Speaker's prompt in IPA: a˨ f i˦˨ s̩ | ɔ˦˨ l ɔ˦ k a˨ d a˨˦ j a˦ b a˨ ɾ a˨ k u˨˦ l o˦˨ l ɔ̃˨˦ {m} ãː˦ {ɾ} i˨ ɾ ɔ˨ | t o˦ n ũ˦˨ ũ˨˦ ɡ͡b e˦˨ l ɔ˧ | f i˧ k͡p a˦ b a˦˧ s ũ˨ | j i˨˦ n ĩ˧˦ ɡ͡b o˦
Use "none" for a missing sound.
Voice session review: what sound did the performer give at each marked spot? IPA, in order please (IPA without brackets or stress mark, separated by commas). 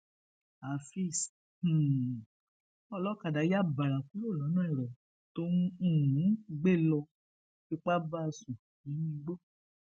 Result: n, none